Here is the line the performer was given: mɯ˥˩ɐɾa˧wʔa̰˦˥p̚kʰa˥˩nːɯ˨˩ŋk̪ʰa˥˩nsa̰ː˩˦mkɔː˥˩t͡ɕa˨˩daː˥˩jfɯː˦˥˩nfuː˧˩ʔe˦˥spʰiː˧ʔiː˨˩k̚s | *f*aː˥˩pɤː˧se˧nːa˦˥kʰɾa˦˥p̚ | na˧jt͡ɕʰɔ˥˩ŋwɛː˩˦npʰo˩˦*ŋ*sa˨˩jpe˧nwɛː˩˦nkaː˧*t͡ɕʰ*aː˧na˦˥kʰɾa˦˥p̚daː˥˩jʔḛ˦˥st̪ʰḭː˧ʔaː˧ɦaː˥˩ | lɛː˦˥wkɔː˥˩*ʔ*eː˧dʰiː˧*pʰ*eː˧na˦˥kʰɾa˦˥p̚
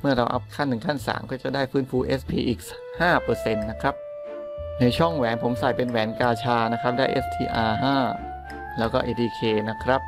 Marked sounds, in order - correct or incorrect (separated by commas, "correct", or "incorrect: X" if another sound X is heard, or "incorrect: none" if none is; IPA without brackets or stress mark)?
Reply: incorrect: h, incorrect: m, correct, correct, incorrect: kʰ